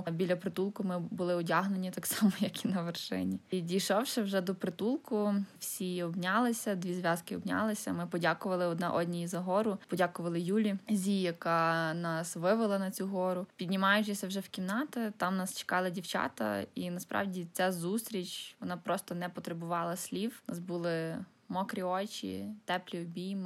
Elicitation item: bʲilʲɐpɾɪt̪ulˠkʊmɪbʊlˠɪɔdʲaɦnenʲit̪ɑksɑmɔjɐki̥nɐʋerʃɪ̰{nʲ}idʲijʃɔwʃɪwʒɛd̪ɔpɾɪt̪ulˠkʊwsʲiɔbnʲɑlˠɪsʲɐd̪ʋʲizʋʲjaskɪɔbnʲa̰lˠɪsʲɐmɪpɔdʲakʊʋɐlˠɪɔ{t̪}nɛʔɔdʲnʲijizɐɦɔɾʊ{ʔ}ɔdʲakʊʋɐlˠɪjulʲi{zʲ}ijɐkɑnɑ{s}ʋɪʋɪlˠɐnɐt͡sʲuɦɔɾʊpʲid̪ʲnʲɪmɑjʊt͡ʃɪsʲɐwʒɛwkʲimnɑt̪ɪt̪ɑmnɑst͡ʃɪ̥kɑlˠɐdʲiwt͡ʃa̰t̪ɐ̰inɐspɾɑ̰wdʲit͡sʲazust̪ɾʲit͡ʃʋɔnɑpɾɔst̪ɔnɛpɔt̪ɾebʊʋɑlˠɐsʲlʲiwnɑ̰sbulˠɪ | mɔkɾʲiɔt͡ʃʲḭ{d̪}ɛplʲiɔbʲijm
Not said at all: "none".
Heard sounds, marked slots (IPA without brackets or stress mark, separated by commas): nʲ, d̪, p, zʲ, s, t̪